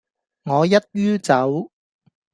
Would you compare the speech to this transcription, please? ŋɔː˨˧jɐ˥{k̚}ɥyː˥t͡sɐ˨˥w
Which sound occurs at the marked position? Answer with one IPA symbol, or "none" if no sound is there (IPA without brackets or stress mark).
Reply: t̚